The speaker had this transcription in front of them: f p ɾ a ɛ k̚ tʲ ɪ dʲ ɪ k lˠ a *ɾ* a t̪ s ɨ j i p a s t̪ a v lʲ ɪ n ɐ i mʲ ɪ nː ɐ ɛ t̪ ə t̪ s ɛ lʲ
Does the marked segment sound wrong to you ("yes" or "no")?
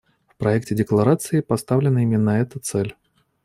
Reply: no